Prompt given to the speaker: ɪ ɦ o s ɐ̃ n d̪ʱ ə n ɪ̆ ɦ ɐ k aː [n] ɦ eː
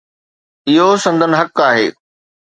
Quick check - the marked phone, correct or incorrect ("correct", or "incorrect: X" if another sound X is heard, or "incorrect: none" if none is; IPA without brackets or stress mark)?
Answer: incorrect: none